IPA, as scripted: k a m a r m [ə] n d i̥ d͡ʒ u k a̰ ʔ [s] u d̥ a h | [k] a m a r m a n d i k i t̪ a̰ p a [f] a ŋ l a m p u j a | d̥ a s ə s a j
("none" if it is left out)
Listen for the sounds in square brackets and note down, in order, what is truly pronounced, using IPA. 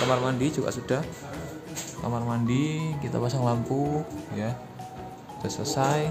a, s, k, s

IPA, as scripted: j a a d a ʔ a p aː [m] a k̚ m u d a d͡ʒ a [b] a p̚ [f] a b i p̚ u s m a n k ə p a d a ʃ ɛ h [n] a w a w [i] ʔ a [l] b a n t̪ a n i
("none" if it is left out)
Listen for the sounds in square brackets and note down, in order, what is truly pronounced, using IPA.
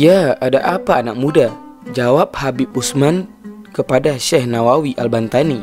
n, w, h, n, i, l

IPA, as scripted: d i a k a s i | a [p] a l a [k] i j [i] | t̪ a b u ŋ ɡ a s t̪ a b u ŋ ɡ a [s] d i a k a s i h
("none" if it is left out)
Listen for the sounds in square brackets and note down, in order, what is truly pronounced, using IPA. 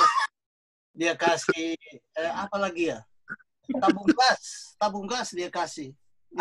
p, ɡ, a, s

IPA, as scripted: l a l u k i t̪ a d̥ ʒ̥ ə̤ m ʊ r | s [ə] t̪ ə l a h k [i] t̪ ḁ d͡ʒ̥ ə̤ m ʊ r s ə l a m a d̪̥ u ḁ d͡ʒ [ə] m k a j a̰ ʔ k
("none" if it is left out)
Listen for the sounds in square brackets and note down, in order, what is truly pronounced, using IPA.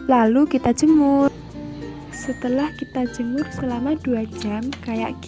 ə, i, a

